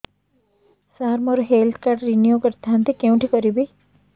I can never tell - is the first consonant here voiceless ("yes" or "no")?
yes